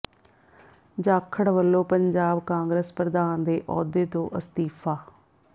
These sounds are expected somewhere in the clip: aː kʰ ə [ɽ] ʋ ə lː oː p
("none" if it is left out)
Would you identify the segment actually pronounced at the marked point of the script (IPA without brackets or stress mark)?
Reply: ɽ